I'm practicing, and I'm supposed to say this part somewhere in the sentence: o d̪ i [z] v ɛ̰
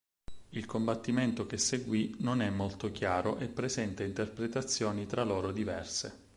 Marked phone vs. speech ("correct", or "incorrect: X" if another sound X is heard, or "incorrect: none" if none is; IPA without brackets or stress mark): incorrect: none